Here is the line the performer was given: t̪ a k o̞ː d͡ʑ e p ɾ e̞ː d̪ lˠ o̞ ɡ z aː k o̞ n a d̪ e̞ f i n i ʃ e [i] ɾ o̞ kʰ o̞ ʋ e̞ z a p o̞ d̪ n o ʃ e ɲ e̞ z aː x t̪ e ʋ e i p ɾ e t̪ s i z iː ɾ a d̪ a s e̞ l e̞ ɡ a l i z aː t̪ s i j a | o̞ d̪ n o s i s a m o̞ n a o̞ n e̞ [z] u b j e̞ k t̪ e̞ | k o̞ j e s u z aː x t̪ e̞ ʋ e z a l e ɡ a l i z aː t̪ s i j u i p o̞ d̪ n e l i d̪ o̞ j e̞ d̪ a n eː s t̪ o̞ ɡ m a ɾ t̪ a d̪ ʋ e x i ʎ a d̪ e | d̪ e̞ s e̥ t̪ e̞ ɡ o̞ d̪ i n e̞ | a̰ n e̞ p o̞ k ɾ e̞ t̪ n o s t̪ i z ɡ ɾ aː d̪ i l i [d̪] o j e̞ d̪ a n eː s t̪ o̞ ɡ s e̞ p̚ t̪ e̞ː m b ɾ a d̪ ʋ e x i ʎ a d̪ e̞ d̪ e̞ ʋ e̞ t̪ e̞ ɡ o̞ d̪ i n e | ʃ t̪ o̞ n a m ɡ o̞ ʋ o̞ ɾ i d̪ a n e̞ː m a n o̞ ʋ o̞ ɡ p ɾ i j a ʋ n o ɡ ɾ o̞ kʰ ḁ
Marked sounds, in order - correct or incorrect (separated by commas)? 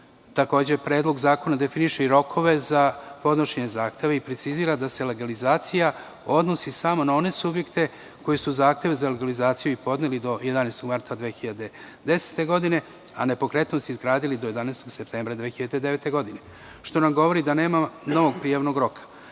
correct, incorrect, correct